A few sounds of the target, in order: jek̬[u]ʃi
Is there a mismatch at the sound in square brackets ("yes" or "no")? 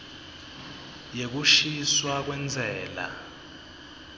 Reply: no